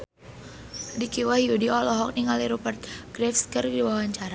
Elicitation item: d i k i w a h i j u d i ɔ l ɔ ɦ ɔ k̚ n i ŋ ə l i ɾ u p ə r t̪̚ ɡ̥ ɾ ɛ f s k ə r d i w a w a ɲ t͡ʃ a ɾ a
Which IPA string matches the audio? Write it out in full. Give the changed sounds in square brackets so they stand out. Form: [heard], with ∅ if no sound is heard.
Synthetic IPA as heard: d i k i w a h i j u d i ɔ l ɔ ɦ ɔ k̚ n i ŋ [a] l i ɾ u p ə r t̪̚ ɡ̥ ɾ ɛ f s k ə r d i w a w a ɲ t͡ʃ a ɾ a